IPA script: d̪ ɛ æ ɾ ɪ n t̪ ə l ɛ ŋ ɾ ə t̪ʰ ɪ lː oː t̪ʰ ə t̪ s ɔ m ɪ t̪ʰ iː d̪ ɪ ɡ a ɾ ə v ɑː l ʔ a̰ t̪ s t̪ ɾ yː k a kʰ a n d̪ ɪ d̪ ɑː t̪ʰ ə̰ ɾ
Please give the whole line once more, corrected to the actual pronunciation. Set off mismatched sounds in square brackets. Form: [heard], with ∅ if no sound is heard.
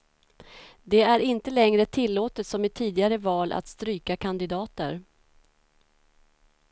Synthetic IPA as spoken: d̪ ɛ æ ɾ ɪ n t̪ ə l ɛ ŋ ɾ ə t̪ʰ ɪ lː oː [t̪] ə t̪ s ɔ m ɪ t̪ʰ iː d̪ ɪ ɡ a ɾ ə v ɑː l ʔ a̰ t̪ s t̪ ɾ yː k a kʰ a n d̪ ɪ d̪ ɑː [t̪] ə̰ ɾ